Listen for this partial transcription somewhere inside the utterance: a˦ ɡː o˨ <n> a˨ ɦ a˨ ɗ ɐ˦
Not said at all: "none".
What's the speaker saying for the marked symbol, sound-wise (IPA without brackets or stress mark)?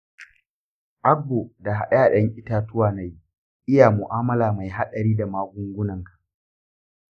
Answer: d